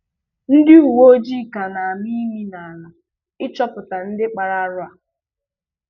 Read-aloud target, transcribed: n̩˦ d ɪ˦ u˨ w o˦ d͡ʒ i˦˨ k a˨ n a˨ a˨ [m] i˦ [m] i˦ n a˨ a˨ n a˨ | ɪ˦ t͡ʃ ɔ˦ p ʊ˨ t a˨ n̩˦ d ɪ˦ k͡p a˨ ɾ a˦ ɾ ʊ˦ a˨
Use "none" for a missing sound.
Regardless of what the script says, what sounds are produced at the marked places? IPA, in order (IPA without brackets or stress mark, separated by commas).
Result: m, m